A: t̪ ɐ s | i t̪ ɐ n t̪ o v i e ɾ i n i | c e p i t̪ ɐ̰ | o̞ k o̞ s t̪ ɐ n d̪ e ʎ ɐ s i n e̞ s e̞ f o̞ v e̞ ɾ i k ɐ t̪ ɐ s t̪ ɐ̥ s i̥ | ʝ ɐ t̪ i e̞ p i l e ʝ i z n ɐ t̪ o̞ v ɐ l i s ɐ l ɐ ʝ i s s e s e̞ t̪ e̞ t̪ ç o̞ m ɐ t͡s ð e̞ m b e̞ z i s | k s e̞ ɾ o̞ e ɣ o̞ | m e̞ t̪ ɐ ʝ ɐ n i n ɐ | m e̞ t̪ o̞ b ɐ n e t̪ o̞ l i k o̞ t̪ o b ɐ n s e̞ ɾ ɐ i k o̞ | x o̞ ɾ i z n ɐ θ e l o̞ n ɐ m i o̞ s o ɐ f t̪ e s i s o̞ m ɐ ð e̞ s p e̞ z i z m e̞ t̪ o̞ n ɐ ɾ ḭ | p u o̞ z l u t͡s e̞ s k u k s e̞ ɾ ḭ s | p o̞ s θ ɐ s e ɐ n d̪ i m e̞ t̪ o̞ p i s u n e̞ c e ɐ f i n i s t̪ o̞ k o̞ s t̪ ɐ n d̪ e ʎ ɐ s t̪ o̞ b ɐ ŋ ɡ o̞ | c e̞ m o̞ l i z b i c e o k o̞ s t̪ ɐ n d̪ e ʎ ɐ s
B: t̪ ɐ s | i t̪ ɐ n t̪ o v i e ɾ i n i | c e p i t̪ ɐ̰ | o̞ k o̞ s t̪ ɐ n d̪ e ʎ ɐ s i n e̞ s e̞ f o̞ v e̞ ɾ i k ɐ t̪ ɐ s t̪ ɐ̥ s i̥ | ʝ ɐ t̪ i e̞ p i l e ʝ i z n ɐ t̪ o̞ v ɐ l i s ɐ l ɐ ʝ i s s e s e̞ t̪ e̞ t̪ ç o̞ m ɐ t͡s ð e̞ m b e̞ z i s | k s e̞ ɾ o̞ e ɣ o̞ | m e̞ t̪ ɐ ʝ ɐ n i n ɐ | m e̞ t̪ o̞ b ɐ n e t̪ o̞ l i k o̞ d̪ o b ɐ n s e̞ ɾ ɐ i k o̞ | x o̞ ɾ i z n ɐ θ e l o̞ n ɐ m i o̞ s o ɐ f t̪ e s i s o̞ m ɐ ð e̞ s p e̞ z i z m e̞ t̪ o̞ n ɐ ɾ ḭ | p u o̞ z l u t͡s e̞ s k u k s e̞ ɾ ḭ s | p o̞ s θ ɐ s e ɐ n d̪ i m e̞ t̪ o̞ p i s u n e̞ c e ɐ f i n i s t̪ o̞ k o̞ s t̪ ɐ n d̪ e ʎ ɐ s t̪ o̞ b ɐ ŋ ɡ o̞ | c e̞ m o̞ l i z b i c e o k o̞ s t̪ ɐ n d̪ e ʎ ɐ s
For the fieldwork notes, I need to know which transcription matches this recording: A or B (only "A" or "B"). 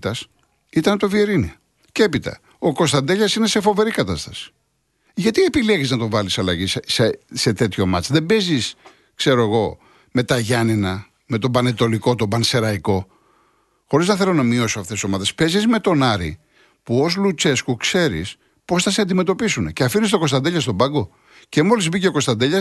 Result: A